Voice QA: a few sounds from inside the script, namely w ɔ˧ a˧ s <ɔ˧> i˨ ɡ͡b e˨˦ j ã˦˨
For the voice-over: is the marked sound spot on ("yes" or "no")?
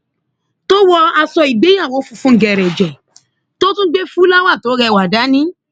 yes